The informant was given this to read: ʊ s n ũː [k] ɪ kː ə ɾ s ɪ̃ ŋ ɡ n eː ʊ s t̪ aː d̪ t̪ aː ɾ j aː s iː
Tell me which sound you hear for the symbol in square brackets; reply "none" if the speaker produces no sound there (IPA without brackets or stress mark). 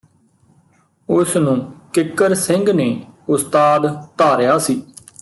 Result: k